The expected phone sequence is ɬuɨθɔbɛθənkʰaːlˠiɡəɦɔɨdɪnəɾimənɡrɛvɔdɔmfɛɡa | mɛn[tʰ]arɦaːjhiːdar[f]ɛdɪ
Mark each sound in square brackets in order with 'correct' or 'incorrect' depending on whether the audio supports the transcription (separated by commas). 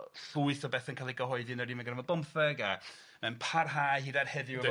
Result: incorrect, incorrect